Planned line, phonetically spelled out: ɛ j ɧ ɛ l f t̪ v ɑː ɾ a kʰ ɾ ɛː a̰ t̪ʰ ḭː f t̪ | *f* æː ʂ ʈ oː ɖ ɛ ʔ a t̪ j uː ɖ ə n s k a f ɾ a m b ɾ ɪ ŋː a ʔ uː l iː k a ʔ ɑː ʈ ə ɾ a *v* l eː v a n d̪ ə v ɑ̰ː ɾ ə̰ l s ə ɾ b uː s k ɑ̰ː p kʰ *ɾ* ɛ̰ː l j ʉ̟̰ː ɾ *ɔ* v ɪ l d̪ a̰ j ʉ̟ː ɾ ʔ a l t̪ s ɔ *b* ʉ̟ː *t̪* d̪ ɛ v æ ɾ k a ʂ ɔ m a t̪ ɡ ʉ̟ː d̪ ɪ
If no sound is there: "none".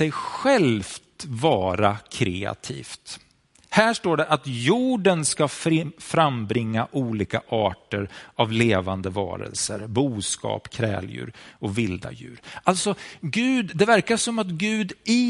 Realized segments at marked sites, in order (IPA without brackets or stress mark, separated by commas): h, v, ɾ, ɔ, ɡ, d̪